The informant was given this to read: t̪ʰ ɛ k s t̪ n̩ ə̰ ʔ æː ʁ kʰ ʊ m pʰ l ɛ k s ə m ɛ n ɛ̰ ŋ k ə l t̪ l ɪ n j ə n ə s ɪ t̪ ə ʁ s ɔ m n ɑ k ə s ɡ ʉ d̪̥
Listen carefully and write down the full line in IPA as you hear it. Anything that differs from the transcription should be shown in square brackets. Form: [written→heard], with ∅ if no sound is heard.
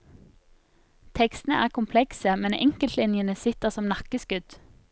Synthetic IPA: t̪ʰ ɛ k s t̪ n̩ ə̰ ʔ æː ʁ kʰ ʊ m pʰ l ɛ k s ə m ɛ n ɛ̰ ŋ k ə l t̪ l ɪ n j ə n ə s ɪ t̪ ə ʁ s ɔ m n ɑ k ə s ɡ ʉ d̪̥